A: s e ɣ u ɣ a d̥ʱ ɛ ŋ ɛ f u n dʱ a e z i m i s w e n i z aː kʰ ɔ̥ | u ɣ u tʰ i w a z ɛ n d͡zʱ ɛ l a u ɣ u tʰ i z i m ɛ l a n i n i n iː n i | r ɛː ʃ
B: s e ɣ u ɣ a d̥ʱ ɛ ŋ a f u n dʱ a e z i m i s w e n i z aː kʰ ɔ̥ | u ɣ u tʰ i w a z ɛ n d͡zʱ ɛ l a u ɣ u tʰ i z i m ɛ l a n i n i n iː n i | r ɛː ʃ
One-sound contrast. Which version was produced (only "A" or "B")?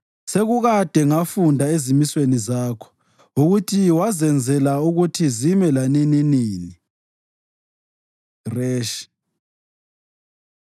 B